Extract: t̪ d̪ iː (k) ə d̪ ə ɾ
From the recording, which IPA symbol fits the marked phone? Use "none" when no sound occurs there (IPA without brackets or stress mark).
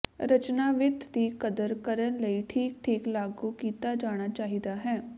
k